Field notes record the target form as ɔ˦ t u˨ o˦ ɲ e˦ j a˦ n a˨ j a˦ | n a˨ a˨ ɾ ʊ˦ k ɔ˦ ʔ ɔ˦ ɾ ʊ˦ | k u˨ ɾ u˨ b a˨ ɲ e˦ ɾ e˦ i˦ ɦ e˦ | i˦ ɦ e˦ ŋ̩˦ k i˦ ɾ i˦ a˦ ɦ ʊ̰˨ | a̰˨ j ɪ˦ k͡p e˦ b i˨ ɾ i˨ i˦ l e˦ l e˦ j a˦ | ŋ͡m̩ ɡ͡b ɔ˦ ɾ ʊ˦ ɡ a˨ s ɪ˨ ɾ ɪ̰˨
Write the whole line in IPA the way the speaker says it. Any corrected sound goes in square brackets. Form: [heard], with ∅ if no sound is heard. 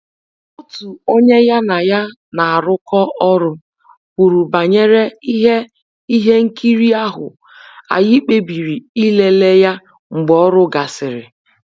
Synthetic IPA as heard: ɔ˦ t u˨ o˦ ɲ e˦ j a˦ n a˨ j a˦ | n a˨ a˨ ɾ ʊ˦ k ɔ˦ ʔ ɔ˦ ɾ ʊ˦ | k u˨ ɾ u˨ b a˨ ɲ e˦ ɾ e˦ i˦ ɦ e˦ | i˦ ɦ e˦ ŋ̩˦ k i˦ ɾ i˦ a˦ ɦ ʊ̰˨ | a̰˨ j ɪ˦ k͡p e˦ b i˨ ɾ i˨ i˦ l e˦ l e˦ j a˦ | ŋ͡m̩ ɡ͡b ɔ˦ ɾ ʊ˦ ɡ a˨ s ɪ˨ ɾ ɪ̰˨